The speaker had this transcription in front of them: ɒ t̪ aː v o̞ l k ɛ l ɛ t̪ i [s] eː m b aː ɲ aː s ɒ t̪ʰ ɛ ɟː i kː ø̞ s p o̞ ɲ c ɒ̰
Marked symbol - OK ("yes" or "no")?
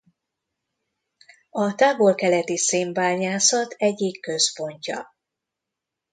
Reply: yes